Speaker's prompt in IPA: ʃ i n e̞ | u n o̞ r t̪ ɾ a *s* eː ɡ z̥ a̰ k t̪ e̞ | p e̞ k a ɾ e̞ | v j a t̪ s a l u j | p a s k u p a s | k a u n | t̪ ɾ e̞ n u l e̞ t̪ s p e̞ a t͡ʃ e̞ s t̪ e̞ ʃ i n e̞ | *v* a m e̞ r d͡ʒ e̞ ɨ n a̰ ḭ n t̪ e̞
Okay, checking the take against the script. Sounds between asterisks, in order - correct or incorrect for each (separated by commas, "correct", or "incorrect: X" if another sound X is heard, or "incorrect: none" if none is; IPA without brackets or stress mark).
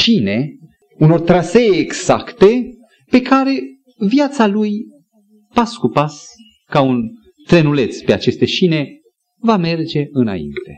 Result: correct, correct